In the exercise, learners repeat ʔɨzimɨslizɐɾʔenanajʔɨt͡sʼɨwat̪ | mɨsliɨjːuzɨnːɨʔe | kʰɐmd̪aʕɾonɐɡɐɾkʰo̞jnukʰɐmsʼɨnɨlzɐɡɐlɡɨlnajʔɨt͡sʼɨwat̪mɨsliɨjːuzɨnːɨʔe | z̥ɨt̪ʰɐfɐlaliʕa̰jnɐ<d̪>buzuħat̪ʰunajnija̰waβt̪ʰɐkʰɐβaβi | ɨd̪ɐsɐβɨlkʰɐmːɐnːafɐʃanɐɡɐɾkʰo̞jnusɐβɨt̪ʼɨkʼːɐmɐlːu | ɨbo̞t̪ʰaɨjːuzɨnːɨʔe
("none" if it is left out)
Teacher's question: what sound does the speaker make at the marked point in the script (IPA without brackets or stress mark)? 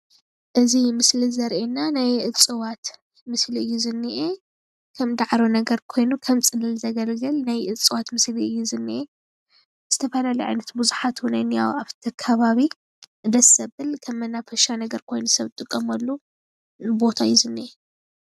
t̪